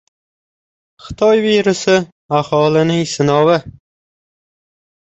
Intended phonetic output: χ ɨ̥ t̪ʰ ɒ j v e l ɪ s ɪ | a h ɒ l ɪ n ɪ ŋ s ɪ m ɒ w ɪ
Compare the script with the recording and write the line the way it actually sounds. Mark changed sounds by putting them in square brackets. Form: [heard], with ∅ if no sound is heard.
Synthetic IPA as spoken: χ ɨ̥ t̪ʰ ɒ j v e [ɾ] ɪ s ɪ | a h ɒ l ɪ n ɪ ŋ s ɪ [n] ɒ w ɪ